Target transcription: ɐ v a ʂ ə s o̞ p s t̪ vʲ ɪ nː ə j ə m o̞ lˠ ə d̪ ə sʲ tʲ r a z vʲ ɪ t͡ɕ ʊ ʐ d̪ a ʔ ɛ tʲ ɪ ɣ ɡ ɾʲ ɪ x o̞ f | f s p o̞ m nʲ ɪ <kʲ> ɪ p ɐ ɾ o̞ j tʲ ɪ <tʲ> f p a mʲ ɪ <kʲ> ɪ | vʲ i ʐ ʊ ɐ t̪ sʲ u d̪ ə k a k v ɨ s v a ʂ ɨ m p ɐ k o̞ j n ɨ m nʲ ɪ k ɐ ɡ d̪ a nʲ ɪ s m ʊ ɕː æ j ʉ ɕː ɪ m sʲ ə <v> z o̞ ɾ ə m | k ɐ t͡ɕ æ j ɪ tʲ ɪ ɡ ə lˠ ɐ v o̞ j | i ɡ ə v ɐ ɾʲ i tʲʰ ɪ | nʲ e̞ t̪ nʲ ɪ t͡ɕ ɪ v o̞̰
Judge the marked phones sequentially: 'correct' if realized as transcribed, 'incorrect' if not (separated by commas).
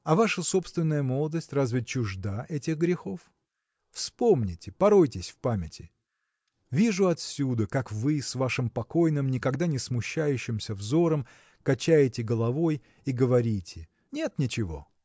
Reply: incorrect, incorrect, incorrect, correct